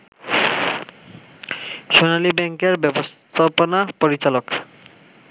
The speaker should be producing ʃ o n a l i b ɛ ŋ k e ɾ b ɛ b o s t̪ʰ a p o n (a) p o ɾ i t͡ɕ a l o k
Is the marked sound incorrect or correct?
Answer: correct